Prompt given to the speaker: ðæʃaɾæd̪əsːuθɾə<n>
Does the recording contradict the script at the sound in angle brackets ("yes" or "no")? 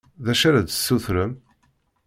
yes